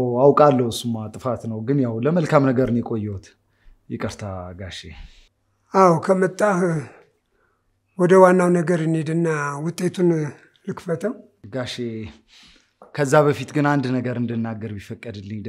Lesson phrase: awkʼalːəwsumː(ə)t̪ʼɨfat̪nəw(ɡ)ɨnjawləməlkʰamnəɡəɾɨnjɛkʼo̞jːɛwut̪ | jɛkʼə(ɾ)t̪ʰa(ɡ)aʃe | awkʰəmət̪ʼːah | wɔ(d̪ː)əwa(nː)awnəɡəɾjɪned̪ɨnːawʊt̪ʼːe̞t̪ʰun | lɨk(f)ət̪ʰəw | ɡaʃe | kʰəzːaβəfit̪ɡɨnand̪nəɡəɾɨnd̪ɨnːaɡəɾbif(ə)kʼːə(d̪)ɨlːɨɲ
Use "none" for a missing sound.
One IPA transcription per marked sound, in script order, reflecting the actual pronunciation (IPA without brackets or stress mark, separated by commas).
a, ɡ, ɾ, ɡ, d̪, nː, f, ə, d̪